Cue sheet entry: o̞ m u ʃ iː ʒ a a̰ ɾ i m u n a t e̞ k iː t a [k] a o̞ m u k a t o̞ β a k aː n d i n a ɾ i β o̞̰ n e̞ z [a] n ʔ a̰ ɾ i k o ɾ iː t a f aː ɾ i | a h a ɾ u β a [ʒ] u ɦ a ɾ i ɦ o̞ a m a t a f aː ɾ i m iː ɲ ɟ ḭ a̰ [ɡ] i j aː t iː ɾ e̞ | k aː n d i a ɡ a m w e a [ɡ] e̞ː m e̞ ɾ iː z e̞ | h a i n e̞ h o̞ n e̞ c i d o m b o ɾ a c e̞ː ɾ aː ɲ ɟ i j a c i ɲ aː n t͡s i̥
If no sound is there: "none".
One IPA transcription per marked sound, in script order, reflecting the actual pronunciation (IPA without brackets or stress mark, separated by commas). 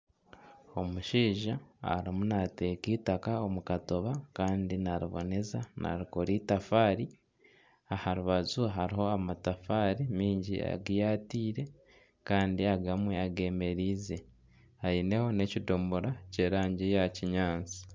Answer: k, a, z, ɡ, ɡ